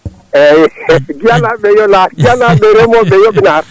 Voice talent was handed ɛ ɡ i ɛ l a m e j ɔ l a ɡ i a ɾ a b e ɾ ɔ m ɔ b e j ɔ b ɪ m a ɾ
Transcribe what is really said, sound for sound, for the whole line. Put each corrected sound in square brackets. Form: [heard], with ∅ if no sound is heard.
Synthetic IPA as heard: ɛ ɡ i [a] l a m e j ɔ l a ɡ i a [l] a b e ɾ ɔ m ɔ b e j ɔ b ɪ [n] a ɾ